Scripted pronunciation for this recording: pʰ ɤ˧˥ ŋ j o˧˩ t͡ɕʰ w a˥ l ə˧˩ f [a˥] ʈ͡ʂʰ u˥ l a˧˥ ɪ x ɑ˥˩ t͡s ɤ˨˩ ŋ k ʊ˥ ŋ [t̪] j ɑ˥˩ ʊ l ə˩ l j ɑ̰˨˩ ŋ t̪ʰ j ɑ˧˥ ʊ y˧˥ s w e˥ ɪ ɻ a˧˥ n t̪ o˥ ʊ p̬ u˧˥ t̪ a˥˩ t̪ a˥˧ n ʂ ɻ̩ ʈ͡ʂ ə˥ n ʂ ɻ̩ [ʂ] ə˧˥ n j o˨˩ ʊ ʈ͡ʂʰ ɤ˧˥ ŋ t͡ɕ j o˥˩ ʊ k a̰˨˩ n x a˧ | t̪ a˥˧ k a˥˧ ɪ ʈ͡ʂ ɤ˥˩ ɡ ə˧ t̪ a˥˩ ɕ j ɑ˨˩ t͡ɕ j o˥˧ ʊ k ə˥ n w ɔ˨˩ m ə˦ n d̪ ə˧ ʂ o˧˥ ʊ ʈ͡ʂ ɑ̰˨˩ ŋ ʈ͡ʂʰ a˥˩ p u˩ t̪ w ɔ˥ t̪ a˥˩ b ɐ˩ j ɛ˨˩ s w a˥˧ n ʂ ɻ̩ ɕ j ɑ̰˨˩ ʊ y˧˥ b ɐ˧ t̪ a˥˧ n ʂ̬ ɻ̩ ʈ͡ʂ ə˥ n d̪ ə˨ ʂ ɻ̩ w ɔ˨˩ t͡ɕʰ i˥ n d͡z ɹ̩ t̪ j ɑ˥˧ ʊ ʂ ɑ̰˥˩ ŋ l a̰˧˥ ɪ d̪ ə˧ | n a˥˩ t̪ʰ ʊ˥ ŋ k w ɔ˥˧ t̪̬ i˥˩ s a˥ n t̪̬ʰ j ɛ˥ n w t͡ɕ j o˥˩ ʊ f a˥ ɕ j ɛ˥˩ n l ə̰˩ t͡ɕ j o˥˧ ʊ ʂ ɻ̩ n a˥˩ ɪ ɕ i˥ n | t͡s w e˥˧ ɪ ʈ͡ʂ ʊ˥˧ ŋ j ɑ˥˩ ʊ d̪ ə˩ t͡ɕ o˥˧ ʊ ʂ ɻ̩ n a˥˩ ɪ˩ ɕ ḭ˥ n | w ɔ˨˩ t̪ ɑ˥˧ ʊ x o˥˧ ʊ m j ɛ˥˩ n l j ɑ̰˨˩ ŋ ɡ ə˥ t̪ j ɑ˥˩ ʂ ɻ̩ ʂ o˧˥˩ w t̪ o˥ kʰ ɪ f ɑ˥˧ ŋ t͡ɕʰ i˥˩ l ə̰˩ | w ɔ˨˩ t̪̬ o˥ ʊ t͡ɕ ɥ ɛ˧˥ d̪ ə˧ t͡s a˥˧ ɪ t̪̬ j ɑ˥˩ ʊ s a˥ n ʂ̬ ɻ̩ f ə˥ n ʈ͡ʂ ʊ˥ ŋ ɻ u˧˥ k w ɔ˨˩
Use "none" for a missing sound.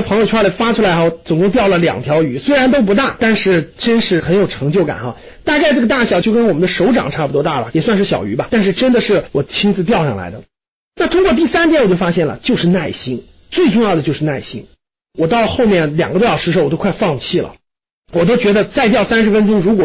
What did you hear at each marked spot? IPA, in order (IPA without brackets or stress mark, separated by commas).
a˥, t̪, x